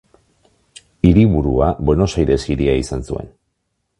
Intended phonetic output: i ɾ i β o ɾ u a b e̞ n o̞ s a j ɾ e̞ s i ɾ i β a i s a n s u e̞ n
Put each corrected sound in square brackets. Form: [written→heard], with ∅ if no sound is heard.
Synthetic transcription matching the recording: i ɾ i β [o→u] ɾ u a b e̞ n o̞ s a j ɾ e̞ s i ɾ i [β→∅] a i s a n s u e̞ n

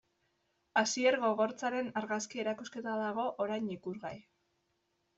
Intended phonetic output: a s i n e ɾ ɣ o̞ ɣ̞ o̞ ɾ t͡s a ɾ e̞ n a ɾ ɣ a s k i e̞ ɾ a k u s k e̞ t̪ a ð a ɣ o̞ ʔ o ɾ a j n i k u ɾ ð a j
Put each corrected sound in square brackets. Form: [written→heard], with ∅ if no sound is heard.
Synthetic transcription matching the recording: a s i [n→∅] e ɾ ɣ o̞ ɣ̞ o̞ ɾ t͡s a ɾ e̞ n a ɾ ɣ a s k i e̞ ɾ a k u s k e̞ t̪ a ð a ɣ o̞ ʔ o ɾ a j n i k u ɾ [ð→ɣ] a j

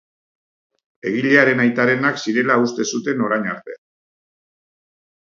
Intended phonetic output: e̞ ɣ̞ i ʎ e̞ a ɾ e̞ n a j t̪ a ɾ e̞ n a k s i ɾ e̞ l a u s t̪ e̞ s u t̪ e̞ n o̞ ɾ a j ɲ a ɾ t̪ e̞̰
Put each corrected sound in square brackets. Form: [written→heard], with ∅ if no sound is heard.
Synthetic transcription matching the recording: e̞ ɣ̞ i ʎ e̞ a ɾ e̞ n a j t̪ a ɾ e̞ n a k s i ɾ e̞ l a u s t̪ e̞ s u t̪ e̞ n o̞ ɾ a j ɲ a ɾ t̪ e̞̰

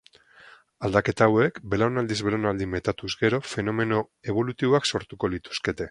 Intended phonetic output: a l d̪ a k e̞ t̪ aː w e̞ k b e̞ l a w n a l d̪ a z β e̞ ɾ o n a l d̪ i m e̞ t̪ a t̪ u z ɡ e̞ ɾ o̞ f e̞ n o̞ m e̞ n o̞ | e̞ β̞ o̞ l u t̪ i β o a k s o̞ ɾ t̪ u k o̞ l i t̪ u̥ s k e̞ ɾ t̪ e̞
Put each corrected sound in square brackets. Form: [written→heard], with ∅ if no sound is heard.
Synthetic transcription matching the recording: a l d̪ a k e̞ t̪ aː w e̞ k b e̞ l a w n a l d̪ [a→i] z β e̞ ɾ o n a l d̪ i m e̞ t̪ a t̪ u z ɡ e̞ ɾ o̞ f e̞ n o̞ m e̞ n o̞ | e̞ β̞ o̞ l u t̪ i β o a k s o̞ ɾ t̪ u k o̞ l i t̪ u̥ s k e̞ [ɾ→∅] t̪ e̞

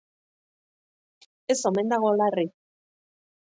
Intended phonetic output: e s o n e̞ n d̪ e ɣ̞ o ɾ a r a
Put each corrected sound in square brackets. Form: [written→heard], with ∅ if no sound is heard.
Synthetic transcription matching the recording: e s o [n→m] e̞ n d̪ [e→a] ɣ̞ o [ɾ→l] a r [a→i]

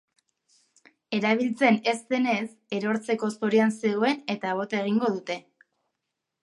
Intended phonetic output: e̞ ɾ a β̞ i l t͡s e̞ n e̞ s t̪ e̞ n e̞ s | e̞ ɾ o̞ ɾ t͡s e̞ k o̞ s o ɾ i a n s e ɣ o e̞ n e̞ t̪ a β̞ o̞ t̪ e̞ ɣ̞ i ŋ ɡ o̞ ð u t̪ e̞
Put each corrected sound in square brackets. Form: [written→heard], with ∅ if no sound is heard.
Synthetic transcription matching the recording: e̞ ɾ a β̞ i l t͡s e̞ n e̞ s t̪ e̞ n e̞ s | e̞ ɾ o̞ ɾ t͡s e̞ k o̞ s o ɾ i a n s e ɣ o e̞ n e̞ t̪ a β̞ o̞ t̪ e̞ ɣ̞ i ŋ ɡ o̞ ð u t̪ e̞

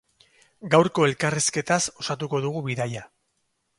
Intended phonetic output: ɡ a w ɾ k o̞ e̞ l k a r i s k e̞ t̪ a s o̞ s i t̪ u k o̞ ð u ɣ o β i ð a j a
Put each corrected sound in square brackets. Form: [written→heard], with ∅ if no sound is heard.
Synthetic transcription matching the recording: ɡ a w ɾ k o̞ e̞ l k a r i s k e̞ t̪ a s o̞ s [i→a] t̪ u k o̞ ð u ɣ [o→u] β i ð a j a

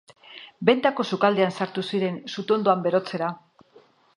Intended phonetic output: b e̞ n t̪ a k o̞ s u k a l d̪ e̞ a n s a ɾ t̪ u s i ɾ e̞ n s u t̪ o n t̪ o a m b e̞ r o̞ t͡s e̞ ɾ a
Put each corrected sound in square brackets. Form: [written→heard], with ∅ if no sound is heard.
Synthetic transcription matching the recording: b e̞ n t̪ a k o̞ s u k a l d̪ e̞ a n s a ɾ t̪ u s i ɾ e̞ n s u t̪ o n [t̪→d̪] o a m b e̞ [r→ɾ] o̞ t͡s e̞ ɾ a

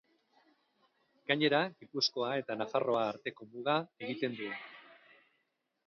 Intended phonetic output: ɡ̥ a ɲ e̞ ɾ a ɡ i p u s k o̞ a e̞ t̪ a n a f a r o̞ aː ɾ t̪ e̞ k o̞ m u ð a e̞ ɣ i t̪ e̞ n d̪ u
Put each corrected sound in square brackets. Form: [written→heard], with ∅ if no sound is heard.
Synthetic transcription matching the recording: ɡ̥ a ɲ e̞ ɾ a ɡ i p u s k o̞ a e̞ t̪ a n a f a r o̞ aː ɾ t̪ e̞ k o̞ m u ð a e̞ ɣ i t̪ e̞ n d̪ u

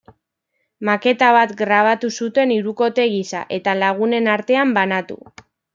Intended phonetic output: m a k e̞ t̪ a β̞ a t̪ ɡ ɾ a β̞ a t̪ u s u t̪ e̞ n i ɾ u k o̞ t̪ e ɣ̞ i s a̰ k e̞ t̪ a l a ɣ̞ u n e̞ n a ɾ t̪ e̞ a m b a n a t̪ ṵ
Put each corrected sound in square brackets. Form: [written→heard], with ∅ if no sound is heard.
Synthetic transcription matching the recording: m a k e̞ t̪ a β̞ a t̪ ɡ ɾ a β̞ a t̪ u s u t̪ e̞ n i ɾ u k o̞ t̪ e ɣ̞ i s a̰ [k→ʔ] e̞ t̪ a l a ɣ̞ u n e̞ n a ɾ t̪ e̞ a m b a n a t̪ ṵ

